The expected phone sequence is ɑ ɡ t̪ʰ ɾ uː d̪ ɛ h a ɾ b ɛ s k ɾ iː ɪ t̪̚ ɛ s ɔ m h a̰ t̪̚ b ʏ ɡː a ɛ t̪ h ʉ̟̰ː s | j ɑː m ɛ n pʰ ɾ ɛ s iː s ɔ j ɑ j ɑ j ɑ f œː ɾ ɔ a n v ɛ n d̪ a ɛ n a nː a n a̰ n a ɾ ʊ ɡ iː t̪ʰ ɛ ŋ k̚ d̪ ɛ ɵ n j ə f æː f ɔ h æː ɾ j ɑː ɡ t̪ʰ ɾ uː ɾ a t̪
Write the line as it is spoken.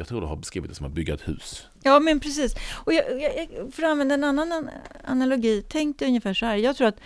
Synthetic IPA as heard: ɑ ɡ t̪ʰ ɾ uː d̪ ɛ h a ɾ b ɛ s k ɾ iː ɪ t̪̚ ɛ s ɔ m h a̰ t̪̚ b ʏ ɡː a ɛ t̪ h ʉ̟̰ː s | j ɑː m ɛ n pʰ ɾ ɛ s iː s ɔ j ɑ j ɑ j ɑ f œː ɾ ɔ a n v ɛ n d̪ a ɛ n a nː a n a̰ n a l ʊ ɡ iː t̪ʰ ɛ ŋ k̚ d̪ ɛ ɵ n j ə f æː ʂ ɔ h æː ɾ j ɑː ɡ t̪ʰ ɾ uː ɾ a t̪